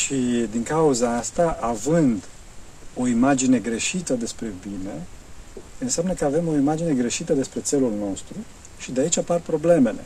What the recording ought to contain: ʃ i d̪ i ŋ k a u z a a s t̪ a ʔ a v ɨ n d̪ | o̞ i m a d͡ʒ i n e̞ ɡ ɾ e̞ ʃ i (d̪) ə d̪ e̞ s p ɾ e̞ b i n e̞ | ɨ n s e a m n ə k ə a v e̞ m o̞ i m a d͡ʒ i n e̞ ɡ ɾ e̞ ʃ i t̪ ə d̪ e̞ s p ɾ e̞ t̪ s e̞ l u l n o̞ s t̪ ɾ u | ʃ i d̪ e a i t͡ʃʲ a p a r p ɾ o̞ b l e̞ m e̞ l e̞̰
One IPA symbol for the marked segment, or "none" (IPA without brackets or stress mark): t̪